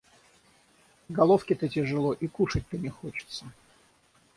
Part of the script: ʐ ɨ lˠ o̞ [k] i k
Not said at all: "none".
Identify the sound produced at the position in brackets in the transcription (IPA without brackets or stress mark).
ʔ